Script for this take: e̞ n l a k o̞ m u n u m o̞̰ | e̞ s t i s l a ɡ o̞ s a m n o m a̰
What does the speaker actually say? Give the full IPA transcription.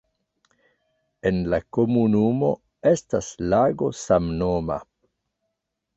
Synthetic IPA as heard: e̞ n l a k o̞ m u n u m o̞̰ | e̞ s t a s l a ɡ o̞ s a m n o m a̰